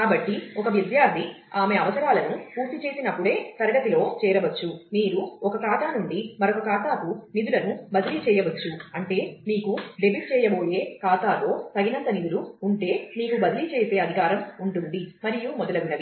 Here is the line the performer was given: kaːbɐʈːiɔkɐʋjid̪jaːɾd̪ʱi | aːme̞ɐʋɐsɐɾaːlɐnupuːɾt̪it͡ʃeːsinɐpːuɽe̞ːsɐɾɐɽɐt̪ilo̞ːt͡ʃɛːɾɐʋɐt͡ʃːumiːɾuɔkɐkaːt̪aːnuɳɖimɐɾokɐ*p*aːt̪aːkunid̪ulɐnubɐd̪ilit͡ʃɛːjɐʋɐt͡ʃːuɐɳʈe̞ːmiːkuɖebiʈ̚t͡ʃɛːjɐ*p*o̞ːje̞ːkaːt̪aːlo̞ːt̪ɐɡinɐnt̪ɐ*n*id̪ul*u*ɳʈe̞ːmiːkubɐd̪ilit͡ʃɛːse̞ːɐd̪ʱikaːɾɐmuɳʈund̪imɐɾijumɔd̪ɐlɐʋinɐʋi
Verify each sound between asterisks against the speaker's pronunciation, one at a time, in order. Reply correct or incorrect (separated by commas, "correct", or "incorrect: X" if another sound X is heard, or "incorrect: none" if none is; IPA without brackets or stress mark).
incorrect: k, incorrect: b, correct, incorrect: uː